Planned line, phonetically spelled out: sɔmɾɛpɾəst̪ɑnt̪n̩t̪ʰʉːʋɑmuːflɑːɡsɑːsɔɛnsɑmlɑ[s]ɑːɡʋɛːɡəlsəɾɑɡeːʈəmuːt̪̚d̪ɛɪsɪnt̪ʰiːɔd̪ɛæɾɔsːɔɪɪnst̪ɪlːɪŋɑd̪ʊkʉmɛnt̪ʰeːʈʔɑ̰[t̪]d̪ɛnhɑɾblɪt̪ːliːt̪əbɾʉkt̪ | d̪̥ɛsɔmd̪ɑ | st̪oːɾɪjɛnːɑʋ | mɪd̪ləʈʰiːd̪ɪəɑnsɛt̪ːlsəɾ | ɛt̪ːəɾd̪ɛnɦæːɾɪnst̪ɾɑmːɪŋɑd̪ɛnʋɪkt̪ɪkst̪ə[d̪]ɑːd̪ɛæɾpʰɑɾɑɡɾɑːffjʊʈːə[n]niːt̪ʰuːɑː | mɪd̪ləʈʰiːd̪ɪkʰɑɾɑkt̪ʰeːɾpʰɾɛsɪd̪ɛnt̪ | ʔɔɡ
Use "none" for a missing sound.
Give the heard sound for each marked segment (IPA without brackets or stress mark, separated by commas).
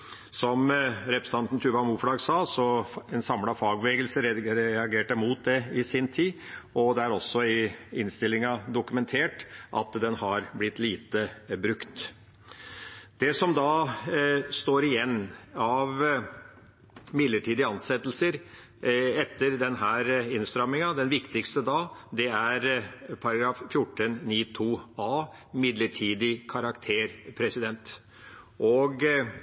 f, t̪, d̪, n